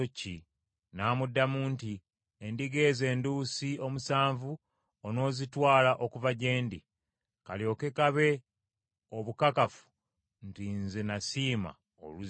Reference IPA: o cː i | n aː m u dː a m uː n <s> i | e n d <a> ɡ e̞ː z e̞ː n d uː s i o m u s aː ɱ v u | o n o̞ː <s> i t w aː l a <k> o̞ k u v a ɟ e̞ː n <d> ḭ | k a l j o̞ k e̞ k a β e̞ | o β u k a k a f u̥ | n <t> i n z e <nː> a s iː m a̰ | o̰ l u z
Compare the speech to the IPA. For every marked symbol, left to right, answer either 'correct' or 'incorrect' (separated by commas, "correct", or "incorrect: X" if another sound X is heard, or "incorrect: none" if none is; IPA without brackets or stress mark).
incorrect: t, incorrect: i, incorrect: z, incorrect: ʔ, correct, correct, incorrect: n